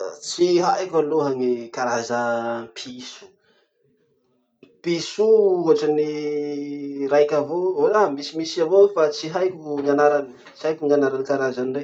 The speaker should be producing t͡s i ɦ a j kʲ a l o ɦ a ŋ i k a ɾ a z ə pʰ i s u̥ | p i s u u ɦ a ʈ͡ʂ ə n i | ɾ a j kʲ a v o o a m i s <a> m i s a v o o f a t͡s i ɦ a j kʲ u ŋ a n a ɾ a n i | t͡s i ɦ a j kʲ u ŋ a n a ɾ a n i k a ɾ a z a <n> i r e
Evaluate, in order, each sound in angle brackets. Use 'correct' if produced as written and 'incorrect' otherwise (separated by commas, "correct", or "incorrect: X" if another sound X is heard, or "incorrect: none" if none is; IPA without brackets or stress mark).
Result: incorrect: i, correct